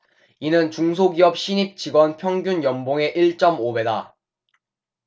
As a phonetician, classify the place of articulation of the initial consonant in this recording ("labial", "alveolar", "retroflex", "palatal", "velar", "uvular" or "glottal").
alveolar